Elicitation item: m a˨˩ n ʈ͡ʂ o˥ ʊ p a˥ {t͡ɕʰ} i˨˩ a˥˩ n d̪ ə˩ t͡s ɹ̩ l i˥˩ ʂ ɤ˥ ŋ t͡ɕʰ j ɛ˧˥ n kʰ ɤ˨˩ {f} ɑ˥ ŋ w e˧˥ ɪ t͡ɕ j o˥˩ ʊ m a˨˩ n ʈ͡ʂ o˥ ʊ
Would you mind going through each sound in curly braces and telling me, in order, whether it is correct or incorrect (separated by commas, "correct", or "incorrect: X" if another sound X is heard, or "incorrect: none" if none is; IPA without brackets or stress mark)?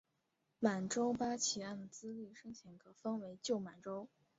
correct, correct